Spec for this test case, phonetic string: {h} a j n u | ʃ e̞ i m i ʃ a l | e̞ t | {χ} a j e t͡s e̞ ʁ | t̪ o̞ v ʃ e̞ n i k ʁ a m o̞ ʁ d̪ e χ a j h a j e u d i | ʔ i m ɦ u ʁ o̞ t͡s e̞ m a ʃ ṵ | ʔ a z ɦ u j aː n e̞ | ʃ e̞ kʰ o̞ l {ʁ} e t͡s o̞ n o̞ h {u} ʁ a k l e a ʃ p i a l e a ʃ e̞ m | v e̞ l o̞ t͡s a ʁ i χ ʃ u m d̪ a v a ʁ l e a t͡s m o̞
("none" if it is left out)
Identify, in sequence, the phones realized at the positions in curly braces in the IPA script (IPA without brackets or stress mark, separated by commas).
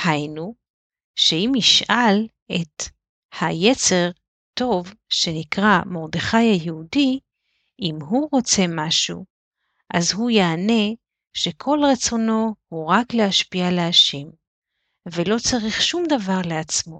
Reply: h, h, ʁ, u